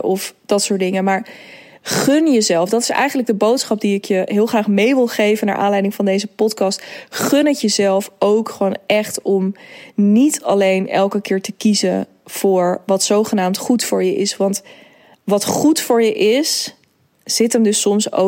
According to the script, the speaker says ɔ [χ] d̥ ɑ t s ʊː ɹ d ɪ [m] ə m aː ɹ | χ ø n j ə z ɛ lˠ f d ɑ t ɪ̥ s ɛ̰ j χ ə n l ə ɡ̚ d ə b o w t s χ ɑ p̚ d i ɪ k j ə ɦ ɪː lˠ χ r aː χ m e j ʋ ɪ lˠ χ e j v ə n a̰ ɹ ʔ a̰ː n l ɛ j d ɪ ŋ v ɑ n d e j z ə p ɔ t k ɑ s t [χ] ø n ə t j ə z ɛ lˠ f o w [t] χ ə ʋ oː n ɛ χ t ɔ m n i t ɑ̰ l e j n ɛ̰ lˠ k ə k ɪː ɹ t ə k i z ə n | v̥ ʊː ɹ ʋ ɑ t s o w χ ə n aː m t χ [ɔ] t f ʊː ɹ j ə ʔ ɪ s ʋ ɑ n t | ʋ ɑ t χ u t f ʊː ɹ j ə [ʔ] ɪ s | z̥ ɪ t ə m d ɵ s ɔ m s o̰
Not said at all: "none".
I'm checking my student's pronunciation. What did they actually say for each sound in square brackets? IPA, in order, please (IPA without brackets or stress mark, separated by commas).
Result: f, ŋ, χ, k, u, ʔ